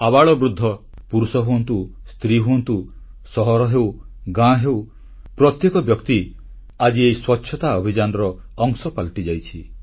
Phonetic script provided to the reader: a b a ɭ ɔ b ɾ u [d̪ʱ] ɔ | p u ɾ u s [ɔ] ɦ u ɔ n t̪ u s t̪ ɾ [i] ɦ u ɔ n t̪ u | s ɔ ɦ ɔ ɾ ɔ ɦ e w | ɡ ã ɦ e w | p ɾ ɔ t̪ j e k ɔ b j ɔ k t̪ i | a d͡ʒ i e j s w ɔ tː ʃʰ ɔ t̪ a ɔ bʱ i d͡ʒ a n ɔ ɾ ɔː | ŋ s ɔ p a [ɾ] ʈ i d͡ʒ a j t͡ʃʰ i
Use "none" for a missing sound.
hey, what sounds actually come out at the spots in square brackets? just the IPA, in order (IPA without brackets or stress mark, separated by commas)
d̪ʱː, ɔ, i, l